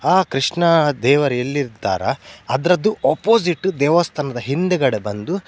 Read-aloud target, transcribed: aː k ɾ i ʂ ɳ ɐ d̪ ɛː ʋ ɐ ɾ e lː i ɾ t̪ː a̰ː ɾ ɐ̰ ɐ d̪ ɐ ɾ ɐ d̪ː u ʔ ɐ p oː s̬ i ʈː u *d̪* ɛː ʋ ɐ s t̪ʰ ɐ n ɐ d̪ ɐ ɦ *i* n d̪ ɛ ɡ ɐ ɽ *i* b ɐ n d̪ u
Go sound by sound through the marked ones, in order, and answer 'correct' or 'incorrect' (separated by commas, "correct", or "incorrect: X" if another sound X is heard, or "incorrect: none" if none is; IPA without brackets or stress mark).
correct, correct, incorrect: e